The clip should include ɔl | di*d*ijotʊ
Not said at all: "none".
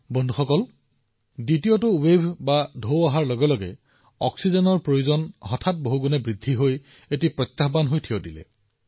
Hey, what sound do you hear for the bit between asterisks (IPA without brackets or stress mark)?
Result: t